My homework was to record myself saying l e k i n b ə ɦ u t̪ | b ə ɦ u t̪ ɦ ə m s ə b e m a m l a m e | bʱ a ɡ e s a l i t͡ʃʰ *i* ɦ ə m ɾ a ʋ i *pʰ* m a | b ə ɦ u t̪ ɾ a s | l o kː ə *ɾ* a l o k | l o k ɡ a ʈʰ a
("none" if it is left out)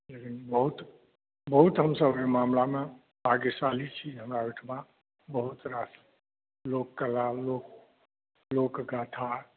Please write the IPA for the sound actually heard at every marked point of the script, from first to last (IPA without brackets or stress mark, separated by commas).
i, ʈʰ, l